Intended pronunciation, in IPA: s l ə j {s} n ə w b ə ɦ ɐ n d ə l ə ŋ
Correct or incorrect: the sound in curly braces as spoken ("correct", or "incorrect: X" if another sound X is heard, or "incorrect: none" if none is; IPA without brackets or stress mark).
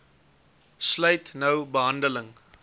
incorrect: t